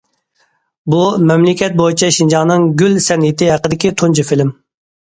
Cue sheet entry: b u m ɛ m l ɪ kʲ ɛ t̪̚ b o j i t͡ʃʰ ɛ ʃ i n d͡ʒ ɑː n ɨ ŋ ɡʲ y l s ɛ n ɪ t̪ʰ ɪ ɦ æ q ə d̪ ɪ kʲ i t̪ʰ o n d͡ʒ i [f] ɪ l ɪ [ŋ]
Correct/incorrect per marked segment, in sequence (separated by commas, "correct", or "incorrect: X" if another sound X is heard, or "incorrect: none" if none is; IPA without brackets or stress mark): correct, incorrect: m